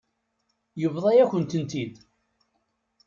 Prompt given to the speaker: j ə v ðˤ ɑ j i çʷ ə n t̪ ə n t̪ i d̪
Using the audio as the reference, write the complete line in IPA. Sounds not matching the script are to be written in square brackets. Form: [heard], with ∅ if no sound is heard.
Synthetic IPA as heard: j ə v ðˤ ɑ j [æ] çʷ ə n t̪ ə n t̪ i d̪